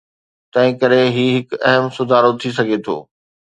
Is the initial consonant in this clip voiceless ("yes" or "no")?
yes